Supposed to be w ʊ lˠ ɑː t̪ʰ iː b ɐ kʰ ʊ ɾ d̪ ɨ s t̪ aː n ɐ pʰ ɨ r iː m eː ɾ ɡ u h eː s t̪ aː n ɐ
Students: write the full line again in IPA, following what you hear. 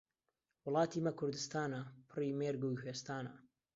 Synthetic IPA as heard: w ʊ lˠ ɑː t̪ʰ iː m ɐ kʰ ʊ ɾ d̪ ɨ s t̪ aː n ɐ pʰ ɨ r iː m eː ɾ ɡ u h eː s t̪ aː n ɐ